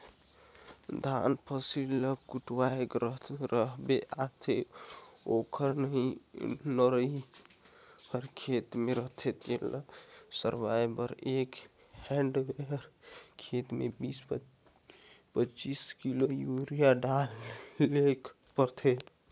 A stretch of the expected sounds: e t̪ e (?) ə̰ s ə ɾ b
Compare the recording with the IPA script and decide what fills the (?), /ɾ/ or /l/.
l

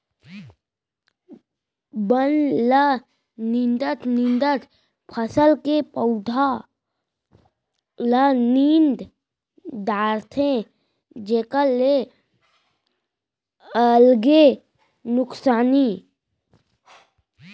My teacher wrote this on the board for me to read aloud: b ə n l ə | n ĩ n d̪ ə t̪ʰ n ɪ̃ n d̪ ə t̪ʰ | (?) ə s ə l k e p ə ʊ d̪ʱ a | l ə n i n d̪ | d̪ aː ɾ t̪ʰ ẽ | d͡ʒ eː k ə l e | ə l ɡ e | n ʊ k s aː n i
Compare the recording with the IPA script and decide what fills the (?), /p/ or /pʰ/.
pʰ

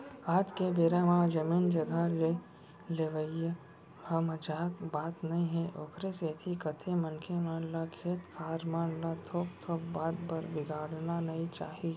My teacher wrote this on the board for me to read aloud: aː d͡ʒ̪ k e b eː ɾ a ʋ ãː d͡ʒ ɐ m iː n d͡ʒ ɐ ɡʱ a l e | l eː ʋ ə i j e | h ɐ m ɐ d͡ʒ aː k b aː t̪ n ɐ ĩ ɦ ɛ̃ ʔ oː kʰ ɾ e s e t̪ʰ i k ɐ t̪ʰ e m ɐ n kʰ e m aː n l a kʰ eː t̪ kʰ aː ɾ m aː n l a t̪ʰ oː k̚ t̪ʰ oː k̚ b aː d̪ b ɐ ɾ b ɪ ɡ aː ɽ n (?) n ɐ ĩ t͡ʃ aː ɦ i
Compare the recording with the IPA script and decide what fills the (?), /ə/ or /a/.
a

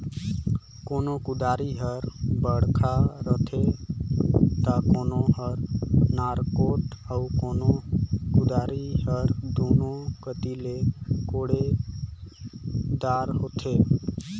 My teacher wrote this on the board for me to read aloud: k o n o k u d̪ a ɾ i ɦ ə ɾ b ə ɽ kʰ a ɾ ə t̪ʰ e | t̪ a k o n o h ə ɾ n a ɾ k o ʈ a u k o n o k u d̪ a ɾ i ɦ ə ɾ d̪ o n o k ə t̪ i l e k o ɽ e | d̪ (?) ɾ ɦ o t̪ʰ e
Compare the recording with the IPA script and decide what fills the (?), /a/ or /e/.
a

